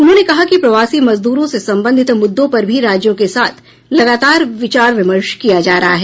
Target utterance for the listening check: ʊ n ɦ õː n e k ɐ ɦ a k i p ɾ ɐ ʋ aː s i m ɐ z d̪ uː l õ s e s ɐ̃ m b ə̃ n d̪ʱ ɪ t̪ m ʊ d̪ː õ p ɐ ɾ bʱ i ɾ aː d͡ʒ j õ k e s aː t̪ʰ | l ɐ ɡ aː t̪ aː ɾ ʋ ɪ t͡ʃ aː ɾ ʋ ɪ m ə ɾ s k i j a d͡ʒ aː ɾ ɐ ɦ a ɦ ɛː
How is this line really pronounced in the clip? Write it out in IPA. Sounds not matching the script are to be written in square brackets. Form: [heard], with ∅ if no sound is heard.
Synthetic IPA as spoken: ʊ n ɦ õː n e k ɐ ɦ a k i p ɾ ɐ ʋ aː s i m ɐ z d̪ uː [ɾ] õ s e s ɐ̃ m b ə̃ n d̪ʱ ɪ t̪ m ʊ d̪ː õ p ɐ ɾ bʱ i ɾ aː d͡ʒ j õ k e s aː t̪ʰ | l ɐ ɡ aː t̪ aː ɾ ʋ ɪ t͡ʃ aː ɾ ʋ ɪ m ə ɾ [ʃ] k i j a d͡ʒ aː ɾ ɐ ɦ a ɦ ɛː